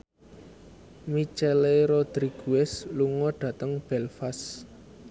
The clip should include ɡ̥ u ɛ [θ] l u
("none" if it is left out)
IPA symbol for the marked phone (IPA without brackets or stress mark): s